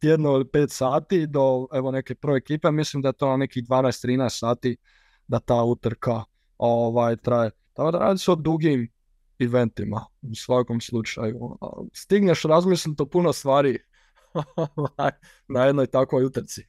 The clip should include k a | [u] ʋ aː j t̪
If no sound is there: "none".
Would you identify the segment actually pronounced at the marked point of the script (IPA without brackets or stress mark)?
o